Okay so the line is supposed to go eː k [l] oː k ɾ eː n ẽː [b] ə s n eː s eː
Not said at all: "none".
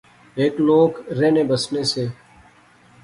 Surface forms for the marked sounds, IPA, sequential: l, b

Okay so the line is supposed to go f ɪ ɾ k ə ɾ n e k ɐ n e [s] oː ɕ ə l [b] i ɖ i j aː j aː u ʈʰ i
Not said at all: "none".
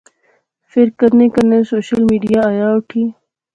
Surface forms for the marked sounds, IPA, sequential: s, m

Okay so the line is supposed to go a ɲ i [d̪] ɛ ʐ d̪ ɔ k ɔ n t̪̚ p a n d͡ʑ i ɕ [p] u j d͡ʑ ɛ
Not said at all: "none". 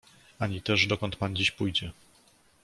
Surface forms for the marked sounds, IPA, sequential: t̪, p

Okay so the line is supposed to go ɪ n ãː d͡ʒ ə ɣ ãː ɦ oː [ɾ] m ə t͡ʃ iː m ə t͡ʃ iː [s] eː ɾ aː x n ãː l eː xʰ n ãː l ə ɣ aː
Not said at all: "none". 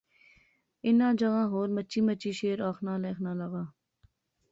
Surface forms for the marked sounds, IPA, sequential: ɾ, ʃ

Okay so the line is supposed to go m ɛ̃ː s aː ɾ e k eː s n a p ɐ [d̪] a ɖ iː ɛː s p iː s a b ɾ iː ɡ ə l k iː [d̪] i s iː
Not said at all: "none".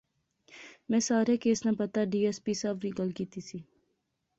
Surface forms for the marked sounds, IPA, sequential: t̪, t̪

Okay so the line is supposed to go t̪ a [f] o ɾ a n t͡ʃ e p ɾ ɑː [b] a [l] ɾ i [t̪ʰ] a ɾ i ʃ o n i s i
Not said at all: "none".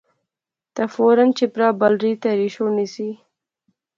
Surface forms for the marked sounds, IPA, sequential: f, b, l, t̪

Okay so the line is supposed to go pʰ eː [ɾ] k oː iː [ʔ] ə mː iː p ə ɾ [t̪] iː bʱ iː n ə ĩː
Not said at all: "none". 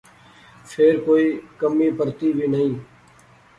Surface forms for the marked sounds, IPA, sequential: ɾ, k, t̪

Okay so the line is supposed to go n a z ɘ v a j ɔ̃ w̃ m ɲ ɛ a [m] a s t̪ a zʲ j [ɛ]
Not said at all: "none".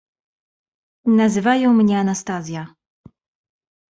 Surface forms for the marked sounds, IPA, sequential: n, a

